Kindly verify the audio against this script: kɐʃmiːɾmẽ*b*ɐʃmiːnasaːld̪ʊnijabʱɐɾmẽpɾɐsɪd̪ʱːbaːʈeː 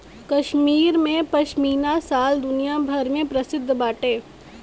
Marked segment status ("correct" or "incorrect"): incorrect